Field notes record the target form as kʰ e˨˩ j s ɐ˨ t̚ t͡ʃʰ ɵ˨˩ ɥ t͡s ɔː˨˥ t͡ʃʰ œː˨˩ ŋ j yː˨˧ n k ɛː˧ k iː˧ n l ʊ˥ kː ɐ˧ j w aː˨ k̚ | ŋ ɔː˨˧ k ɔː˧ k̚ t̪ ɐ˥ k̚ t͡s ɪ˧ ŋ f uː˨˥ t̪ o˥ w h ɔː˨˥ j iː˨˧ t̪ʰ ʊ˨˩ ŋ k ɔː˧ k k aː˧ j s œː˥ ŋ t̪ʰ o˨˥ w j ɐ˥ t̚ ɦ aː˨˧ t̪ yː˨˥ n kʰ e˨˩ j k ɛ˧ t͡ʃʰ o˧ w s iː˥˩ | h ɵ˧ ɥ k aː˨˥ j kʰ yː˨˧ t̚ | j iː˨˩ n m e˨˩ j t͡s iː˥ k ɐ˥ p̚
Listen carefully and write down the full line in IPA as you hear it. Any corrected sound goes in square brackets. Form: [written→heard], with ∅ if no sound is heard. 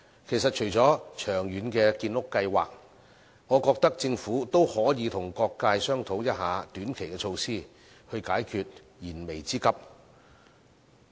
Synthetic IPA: kʰ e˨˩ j s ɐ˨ t̚ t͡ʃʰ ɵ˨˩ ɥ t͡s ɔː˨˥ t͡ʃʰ œː˨˩ ŋ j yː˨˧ n k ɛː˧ k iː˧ n l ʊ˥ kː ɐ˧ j w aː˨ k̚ | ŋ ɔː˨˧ k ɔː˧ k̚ t̪ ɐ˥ k̚ t͡s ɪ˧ ŋ f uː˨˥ t̪ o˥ w h ɔː˨˥ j iː˨˧ t̪ʰ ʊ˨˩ ŋ k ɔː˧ k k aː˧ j s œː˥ ŋ t̪ʰ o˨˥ w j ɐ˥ t̚ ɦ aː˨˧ t̪ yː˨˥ n kʰ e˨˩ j k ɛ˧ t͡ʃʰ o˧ w s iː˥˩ | h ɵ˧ ɥ k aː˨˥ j kʰ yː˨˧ t̚ | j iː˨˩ n m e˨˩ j t͡s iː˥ k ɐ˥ p̚